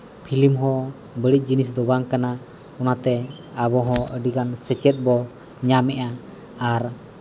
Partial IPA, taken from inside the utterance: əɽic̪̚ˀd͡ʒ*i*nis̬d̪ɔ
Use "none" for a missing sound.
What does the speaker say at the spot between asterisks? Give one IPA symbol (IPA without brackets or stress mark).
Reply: i